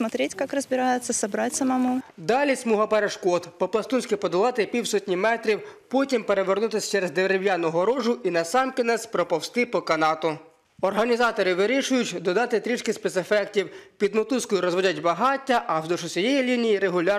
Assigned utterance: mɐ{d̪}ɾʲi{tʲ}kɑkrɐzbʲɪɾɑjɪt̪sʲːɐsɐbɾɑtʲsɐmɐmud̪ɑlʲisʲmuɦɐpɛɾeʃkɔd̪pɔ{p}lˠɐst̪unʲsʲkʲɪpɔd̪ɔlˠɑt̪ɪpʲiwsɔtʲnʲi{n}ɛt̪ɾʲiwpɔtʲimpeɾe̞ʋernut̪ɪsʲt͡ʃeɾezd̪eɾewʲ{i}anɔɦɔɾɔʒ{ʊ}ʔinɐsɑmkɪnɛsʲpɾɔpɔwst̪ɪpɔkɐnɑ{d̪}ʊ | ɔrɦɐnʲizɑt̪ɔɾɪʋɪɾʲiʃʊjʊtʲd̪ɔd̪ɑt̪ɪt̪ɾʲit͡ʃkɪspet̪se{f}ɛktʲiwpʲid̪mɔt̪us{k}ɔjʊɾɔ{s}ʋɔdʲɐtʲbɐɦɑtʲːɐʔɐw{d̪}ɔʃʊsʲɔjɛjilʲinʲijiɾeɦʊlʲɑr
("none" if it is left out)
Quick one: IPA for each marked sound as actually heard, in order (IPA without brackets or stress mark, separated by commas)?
t̪, tʲ, p, m, j, ʊ, t̪, f, k, z, d̪